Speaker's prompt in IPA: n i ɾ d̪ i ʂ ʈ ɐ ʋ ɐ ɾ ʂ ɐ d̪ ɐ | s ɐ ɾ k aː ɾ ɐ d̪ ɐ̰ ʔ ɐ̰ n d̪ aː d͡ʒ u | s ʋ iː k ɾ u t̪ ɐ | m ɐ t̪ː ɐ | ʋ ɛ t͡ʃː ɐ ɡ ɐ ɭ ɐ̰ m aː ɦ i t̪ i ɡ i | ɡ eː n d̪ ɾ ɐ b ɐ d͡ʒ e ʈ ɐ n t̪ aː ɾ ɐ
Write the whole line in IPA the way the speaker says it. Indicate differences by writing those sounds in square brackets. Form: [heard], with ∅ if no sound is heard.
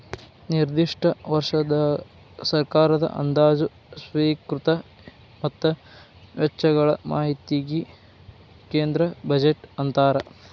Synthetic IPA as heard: n i ɾ d̪ i ʂ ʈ ɐ ʋ ɐ ɾ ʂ ɐ d̪ ɐ | s ɐ ɾ k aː ɾ ɐ d̪ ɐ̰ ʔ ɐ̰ n d̪ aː d͡ʒ u | s ʋ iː k ɾ u t̪ ɐ | m ɐ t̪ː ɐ | ʋ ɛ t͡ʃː ɐ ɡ ɐ ɭ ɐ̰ m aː ɦ i t̪ i ɡ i | [k] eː n d̪ ɾ ɐ b ɐ d͡ʒ e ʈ ɐ n t̪ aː ɾ ɐ